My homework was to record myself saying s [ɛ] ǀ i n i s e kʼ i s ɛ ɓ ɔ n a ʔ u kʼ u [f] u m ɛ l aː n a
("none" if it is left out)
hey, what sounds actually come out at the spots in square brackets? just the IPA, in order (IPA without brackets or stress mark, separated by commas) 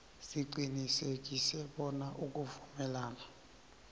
i, v